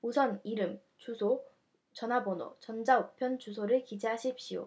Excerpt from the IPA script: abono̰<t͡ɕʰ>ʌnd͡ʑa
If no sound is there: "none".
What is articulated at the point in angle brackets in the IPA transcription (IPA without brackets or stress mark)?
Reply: t͡ɕ